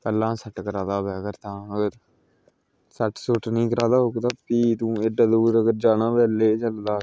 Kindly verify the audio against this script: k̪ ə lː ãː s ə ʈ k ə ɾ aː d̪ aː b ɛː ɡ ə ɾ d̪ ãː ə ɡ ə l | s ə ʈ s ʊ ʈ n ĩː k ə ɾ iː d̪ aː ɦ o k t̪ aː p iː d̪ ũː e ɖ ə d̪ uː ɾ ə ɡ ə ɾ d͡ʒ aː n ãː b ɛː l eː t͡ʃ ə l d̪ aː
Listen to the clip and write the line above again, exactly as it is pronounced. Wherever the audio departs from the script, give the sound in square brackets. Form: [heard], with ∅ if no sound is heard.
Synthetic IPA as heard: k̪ ə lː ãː s ə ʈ k ə ɾ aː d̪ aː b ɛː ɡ ə ɾ [t̪] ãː ə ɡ ə [ɾ] | s ə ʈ s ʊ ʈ n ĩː k ə ɾ [aː] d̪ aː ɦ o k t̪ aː p iː [t̪] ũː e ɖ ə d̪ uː ɾ ə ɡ ə ɾ d͡ʒ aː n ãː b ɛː l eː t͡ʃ ə l d̪ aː